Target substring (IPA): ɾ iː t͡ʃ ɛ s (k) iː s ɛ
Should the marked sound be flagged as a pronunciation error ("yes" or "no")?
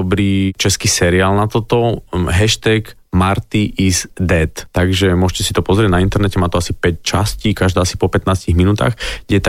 no